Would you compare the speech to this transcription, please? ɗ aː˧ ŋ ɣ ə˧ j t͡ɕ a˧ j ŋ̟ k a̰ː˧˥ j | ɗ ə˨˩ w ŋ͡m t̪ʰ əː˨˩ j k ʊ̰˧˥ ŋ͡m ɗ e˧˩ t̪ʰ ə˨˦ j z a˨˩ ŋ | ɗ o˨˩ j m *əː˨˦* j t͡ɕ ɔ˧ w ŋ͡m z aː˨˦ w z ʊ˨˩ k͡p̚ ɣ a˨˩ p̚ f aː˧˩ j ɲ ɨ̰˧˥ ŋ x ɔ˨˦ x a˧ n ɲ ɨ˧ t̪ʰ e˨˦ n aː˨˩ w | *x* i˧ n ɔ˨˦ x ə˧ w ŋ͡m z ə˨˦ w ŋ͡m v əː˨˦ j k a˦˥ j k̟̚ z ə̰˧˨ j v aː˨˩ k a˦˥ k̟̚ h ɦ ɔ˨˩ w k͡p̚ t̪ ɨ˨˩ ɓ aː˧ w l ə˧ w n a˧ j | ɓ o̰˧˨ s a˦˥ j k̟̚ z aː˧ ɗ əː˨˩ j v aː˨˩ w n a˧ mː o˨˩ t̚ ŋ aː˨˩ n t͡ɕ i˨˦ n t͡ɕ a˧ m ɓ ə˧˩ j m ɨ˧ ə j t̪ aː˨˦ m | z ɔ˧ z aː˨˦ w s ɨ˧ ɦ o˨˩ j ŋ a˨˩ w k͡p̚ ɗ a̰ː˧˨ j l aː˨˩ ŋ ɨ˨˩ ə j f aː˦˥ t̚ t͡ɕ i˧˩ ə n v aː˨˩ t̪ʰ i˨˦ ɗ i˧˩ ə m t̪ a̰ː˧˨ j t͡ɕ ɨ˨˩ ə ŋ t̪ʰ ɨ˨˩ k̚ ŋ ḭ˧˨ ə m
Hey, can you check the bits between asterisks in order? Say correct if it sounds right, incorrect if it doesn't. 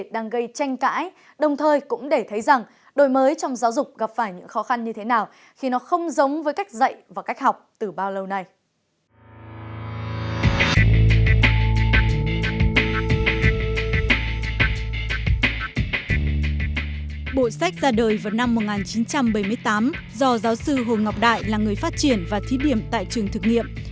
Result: correct, correct

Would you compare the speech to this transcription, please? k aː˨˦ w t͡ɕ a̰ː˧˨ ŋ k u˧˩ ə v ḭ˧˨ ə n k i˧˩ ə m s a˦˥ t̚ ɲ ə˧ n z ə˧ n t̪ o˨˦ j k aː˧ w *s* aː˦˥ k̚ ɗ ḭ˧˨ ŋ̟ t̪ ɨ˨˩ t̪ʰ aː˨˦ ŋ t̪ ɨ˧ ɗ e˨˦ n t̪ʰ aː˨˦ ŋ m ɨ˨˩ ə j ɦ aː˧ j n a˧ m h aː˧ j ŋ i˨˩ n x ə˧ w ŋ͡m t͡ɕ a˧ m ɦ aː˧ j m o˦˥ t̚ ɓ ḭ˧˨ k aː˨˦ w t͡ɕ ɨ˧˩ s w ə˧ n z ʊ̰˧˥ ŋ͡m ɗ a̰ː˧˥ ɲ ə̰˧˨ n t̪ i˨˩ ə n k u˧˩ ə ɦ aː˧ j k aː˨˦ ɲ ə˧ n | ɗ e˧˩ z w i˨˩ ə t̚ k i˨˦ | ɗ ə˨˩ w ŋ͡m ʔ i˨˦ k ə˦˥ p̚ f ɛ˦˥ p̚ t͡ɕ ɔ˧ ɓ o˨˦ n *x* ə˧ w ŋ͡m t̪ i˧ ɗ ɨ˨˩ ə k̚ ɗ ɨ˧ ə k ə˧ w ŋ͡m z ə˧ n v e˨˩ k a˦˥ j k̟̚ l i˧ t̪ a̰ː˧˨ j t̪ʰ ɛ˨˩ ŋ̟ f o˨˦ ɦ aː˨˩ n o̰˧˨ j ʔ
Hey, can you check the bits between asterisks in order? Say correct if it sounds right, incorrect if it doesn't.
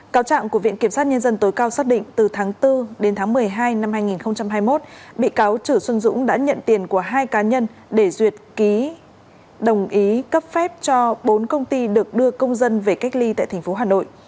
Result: correct, incorrect: k

